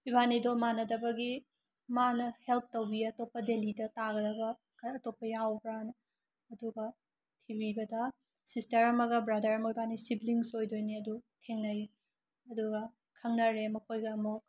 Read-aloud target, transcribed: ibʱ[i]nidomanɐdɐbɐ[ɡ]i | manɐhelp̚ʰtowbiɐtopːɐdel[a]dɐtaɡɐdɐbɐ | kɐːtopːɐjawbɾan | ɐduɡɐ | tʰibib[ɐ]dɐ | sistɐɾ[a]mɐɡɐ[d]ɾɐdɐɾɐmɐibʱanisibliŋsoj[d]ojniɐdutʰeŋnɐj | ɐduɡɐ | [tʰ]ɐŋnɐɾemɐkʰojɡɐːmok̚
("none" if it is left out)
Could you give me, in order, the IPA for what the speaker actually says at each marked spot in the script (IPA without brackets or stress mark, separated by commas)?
a, ɡ, i, ɐ, ɐ, b, d, kʰ